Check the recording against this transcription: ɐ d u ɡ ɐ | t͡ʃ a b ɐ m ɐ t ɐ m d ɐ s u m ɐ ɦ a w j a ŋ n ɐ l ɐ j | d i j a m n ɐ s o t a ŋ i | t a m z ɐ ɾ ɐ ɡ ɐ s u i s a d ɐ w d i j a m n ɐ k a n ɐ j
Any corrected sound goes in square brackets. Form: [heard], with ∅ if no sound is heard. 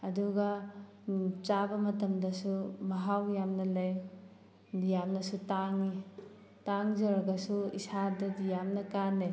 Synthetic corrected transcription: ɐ d u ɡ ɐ | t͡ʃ a b ɐ m ɐ t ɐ m d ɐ s u m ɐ ɦ a w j a [m] n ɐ l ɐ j | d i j a m n ɐ s [u] t a ŋ i | t a [ŋ] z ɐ ɾ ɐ ɡ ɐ s u i s a d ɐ [∅] d i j a m n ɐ k a n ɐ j